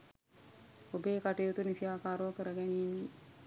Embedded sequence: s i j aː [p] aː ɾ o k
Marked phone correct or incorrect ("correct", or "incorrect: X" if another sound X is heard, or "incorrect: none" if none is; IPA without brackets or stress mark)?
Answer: incorrect: k